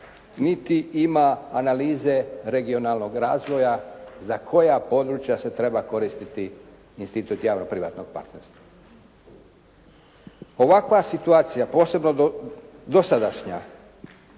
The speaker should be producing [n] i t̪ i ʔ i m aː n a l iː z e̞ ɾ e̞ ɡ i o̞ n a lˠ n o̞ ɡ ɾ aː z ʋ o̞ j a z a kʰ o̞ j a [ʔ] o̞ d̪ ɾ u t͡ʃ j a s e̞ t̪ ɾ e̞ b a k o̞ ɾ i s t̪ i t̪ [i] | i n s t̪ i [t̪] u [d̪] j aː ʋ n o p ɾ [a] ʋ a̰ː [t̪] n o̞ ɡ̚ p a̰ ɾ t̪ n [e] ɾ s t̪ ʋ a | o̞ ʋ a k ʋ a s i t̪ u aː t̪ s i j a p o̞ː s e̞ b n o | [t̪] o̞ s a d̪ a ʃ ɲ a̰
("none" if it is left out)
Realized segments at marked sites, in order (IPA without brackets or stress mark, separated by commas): n, p, i, t̪, t̪, i, t̪, e, d̪